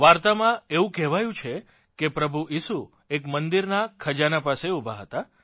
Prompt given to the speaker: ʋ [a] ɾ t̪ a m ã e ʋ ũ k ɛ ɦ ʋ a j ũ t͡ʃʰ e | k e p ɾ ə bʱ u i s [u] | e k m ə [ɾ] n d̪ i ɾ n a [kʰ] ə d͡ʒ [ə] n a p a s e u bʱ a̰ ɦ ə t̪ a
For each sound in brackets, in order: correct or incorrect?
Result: correct, correct, incorrect: none, correct, incorrect: a

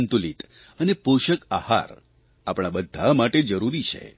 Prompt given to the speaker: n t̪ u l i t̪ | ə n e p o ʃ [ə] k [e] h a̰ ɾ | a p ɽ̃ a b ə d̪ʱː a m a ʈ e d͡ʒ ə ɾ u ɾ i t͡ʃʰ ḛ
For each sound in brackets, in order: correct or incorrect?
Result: correct, incorrect: a

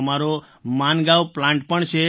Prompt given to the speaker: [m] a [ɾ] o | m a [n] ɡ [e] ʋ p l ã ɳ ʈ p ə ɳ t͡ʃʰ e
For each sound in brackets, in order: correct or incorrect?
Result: correct, correct, correct, incorrect: a

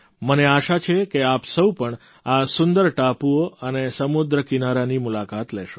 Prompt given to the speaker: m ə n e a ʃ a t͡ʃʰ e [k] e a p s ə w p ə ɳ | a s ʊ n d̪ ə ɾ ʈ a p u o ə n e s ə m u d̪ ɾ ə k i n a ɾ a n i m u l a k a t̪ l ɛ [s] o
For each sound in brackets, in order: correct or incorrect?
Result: correct, incorrect: ʃ

